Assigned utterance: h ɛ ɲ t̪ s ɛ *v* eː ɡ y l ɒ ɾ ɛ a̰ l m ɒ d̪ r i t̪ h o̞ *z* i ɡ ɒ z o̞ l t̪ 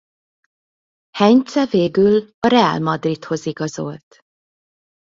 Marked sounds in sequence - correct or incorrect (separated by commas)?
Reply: correct, correct